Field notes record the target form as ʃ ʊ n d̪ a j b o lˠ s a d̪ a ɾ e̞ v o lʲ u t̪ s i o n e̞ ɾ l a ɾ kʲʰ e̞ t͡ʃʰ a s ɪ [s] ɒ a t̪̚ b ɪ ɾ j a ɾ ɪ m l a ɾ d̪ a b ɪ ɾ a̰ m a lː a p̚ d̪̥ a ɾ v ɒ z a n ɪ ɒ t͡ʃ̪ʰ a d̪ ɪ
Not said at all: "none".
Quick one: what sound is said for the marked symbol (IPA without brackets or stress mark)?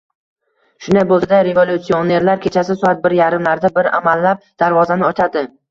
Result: s